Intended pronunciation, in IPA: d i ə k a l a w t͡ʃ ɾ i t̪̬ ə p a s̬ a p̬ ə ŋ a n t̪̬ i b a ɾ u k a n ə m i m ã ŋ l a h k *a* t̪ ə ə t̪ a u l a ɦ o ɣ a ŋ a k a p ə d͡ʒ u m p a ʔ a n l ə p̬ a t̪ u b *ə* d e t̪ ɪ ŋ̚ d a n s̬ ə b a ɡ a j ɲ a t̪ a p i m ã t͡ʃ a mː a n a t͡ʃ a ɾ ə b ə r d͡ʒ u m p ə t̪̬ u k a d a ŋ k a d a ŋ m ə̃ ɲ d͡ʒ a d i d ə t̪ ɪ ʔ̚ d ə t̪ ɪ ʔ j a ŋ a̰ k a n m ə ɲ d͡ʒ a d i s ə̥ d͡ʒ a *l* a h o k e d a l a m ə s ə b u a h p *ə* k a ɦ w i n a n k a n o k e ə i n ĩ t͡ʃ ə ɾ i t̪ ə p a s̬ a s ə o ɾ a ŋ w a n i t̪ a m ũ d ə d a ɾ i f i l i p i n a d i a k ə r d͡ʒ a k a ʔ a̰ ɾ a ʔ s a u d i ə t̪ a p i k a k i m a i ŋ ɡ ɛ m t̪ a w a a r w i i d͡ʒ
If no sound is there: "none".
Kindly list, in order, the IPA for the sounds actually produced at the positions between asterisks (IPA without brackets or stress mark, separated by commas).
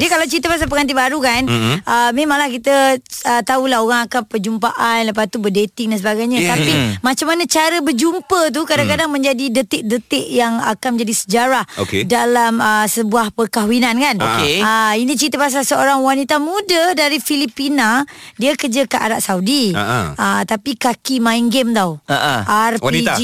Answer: i, ə, ɾ, ə